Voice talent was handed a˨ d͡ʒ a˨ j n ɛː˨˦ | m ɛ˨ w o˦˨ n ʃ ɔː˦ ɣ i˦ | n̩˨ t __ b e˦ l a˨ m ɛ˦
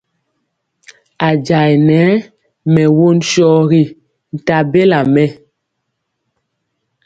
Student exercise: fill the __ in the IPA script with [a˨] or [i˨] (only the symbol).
a˨